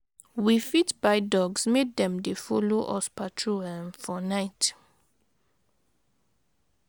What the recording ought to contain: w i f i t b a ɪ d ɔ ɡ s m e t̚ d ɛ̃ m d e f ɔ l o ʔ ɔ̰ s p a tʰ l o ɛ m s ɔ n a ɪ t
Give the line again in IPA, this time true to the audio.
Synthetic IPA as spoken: w i f i t b a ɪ d ɔ ɡ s m e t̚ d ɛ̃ m d e f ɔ l o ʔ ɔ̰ s p a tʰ ɹ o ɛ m f ɔ n a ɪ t